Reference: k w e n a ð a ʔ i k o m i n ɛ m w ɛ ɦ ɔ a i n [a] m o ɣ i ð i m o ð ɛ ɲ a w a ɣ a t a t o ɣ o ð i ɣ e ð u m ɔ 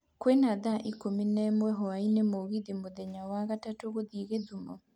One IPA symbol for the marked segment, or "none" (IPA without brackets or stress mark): e